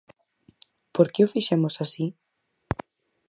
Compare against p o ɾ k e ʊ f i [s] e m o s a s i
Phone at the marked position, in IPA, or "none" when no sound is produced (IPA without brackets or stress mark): ʃ